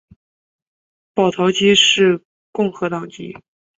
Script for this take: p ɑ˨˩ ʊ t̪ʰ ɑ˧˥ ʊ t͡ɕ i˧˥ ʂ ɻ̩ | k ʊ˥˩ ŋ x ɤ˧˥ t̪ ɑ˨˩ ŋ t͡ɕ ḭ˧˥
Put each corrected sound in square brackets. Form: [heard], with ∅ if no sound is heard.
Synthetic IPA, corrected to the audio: p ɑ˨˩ ʊ t̪ʰ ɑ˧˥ ʊ t͡ɕ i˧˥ ʂ ɻ̩ | k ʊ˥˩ ŋ x ɤ˧˥ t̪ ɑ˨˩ ŋ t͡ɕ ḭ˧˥